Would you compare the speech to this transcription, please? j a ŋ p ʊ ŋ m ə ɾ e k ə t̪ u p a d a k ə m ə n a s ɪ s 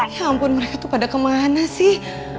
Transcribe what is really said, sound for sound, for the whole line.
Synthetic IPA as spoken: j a m p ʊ n m ə ɾ e k a t̪ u p a d a k ə m a n a s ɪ h